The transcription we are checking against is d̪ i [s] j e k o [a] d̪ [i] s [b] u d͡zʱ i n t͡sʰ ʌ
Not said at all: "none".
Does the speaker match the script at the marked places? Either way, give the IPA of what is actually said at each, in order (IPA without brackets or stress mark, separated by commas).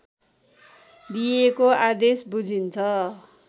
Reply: none, a, e, b